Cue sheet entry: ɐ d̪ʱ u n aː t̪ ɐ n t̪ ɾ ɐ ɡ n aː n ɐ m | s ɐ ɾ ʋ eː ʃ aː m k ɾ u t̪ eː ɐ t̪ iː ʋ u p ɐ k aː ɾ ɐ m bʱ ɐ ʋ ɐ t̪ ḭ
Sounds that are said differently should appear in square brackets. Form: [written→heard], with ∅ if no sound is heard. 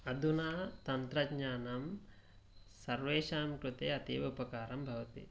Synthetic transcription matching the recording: ɐ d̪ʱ u n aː t̪ ɐ n t̪ ɾ ɐ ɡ [n→ɲ] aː n ɐ m | s ɐ ɾ ʋ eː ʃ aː m k ɾ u t̪ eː ɐ t̪ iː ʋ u p ɐ k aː ɾ ɐ m bʱ ɐ ʋ ɐ t̪ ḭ